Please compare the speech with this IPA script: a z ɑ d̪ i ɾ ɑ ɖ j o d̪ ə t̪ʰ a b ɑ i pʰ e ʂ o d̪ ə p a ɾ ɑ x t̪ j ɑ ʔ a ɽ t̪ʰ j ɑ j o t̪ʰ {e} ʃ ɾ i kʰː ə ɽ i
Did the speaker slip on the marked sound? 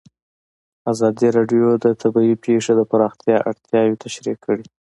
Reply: yes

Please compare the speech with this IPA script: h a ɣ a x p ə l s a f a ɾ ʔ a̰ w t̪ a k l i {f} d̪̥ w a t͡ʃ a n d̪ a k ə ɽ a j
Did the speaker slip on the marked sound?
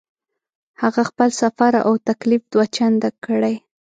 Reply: no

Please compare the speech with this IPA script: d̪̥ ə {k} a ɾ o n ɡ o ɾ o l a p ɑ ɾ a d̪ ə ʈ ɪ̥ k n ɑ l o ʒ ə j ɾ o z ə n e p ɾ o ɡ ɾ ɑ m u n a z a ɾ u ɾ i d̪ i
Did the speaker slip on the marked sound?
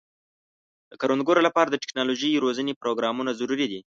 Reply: no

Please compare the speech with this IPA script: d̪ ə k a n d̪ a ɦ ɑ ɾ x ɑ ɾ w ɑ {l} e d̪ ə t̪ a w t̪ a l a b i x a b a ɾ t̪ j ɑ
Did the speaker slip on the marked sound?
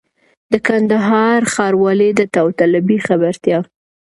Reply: no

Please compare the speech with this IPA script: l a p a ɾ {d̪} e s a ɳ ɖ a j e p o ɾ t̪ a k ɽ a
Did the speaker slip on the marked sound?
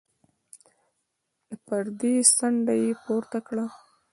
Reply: no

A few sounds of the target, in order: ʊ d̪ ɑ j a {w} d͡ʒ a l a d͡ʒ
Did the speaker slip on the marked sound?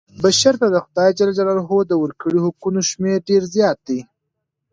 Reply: yes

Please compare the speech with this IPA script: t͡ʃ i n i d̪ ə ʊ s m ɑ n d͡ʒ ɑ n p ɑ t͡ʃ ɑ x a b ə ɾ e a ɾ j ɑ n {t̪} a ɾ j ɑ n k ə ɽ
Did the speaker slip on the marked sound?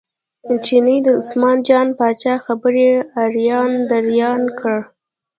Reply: yes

